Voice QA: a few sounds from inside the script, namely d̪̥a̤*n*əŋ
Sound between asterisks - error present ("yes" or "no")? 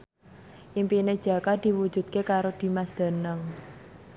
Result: no